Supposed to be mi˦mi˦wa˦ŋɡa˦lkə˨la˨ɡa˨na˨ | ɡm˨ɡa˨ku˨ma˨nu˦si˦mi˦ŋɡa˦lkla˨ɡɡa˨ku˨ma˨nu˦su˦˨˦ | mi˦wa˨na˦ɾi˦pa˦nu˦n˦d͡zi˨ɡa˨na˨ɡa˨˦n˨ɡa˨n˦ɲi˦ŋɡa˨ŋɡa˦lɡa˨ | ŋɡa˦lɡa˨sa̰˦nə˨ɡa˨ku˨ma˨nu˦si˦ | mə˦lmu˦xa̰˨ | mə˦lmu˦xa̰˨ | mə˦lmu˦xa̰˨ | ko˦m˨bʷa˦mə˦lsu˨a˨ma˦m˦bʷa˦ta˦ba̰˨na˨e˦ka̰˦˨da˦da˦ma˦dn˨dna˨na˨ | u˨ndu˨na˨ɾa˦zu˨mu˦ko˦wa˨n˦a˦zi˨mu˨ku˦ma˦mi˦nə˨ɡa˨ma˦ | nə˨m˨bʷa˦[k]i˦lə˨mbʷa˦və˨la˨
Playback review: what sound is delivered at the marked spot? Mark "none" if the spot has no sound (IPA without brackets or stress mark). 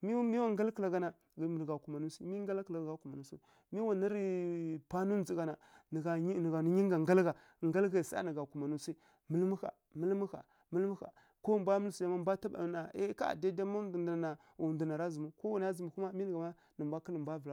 k